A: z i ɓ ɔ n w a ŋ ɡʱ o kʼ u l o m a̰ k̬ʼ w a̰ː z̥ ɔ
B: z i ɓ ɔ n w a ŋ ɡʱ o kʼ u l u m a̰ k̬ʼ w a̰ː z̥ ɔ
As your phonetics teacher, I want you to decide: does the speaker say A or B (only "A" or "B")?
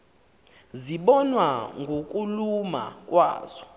B